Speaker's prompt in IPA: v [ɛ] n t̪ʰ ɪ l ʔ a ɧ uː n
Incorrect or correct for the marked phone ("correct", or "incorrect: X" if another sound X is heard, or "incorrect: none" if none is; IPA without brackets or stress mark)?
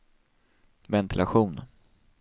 correct